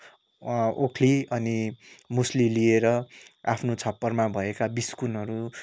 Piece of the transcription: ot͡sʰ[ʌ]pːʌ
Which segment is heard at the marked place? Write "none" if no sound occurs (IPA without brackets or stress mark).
ʌ